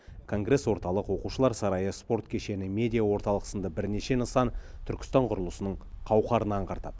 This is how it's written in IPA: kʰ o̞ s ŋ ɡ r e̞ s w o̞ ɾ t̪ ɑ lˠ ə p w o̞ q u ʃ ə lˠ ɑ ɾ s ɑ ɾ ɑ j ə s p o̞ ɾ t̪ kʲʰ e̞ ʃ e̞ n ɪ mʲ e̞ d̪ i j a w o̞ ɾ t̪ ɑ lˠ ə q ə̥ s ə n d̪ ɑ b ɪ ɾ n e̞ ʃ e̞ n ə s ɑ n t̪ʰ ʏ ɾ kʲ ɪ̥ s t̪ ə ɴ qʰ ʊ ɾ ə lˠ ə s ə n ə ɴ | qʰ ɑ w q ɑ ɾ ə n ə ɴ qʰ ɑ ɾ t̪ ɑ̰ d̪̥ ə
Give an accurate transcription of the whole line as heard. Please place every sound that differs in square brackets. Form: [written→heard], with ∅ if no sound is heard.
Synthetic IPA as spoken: kʰ o̞ [s→∅] ŋ ɡ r e̞ s w o̞ ɾ t̪ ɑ lˠ ə [p→q] w o̞ q u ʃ ə lˠ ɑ ɾ s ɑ ɾ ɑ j ə s p o̞ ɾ t̪ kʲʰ e̞ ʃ e̞ n ɪ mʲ e̞ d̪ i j a w o̞ ɾ t̪ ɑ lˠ ə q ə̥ s ə n d̪ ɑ b ɪ ɾ n e̞ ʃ e̞ n ə s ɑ n t̪ʰ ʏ ɾ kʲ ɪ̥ s t̪ [ə→ɑ] ɴ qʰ ʊ ɾ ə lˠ ə s ə n ə ɴ | qʰ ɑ w q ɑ ɾ ə n [ə→ɑ] ɴ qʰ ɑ ɾ t̪ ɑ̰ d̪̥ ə

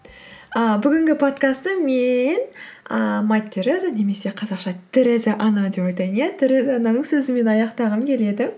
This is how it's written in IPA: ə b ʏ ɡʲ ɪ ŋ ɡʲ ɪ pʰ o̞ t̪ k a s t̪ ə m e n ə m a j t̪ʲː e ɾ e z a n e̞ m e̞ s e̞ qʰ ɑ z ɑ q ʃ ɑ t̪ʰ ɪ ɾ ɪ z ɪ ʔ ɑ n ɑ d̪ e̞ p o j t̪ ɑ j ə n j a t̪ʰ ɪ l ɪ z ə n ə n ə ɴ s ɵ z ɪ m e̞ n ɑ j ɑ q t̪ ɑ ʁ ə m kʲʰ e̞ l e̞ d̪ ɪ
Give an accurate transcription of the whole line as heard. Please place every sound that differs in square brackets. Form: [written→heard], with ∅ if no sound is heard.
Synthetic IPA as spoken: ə b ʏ ɡʲ ɪ ŋ ɡʲ ɪ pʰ o̞ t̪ k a s t̪ ə m e n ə m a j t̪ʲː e ɾ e z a n e̞ m e̞ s e̞ qʰ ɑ z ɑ q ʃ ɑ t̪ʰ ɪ ɾ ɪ z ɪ ʔ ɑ n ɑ d̪ e̞ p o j t̪ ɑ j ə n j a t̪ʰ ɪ [l→ɾ] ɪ z [ə→ɑ] n [ə→ɑ] n ə ɴ s ɵ z ɪ m e̞ n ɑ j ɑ q t̪ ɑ ʁ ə m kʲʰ e̞ l e̞ d̪ ɪ

